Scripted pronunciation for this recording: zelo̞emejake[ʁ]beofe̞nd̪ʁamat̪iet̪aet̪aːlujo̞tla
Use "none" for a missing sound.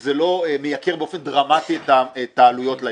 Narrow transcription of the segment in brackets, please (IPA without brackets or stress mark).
ʁ